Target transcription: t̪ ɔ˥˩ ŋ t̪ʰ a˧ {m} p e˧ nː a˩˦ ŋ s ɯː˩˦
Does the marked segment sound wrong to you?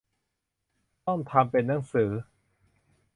no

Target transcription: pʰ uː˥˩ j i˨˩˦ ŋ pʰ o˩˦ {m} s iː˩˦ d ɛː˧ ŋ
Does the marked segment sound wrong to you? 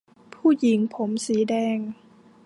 no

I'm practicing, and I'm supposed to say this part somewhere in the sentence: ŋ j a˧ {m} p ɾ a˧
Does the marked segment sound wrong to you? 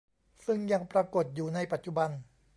yes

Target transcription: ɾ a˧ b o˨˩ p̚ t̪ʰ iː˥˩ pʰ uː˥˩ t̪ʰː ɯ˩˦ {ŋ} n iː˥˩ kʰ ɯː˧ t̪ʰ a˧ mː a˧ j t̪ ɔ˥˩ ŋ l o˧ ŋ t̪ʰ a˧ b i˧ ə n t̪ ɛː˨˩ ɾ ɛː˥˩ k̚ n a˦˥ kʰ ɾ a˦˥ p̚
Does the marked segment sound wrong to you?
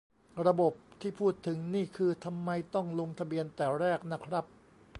no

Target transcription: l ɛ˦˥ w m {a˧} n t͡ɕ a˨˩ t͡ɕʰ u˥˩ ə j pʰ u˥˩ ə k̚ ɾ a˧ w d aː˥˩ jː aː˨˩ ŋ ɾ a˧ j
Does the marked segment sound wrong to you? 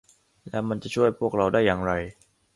no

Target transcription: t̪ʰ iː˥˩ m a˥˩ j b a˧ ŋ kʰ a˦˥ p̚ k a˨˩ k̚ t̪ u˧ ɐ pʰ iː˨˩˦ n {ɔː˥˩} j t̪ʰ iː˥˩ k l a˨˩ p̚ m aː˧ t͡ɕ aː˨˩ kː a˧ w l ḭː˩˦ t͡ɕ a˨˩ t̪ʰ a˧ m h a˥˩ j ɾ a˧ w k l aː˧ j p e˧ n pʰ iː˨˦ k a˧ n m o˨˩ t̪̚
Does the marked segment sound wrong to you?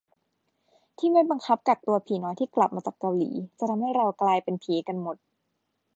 yes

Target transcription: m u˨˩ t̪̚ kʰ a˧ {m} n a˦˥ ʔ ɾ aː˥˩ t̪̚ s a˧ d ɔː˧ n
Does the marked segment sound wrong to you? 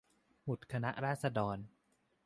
yes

